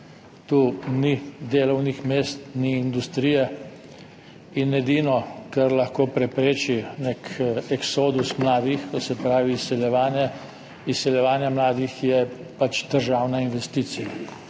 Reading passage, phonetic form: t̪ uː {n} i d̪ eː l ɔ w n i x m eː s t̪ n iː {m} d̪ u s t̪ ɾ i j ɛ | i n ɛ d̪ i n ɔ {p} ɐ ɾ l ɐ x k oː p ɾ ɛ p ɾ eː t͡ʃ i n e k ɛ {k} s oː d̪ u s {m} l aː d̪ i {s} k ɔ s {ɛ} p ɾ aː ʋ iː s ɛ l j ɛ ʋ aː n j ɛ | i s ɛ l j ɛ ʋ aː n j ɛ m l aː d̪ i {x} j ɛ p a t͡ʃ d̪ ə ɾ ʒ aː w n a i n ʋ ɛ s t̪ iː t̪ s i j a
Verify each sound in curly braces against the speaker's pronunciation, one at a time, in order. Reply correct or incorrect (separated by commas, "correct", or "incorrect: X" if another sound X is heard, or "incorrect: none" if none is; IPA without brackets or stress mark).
correct, incorrect: n, incorrect: k, correct, correct, incorrect: x, correct, correct